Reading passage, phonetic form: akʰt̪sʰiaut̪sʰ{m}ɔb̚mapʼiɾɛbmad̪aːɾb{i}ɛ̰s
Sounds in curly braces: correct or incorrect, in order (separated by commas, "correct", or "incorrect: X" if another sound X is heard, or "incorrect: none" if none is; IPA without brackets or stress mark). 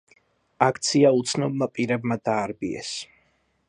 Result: incorrect: n, correct